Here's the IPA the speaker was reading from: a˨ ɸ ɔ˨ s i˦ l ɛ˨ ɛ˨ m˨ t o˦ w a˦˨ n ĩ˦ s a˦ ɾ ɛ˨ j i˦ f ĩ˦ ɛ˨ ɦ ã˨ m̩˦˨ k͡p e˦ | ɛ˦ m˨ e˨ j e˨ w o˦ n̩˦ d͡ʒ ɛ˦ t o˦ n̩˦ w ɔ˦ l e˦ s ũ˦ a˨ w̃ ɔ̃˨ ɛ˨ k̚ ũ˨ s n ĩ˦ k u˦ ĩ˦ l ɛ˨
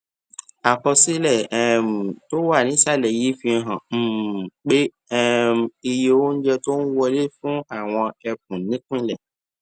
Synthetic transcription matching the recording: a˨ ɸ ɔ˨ s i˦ l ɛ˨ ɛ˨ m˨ t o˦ w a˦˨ n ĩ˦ s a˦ l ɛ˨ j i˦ f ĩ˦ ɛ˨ ɦ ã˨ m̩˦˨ k͡p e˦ | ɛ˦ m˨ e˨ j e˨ w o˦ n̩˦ d͡ʒ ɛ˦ t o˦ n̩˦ w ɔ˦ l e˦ f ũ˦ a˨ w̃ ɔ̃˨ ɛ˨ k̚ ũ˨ n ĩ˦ k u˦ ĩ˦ l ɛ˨